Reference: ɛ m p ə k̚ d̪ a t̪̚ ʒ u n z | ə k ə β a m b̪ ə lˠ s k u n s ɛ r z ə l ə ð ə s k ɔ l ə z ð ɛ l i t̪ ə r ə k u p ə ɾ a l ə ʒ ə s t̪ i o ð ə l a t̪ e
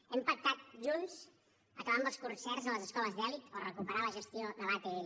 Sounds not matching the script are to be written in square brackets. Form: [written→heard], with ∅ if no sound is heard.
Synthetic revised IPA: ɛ m p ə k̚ [d̪→t̪] a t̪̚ ʒ u n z | ə k ə β a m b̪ ə lˠ s k u n s ɛ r z ə l ə [ð→z] ə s k ɔ l ə z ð ɛ l i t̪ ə r ə k u p ə ɾ a l ə ʒ ə s t̪ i o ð ə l a t̪ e